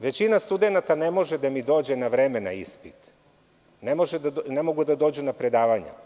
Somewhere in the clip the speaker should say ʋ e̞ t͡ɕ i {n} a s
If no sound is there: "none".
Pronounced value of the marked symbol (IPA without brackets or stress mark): n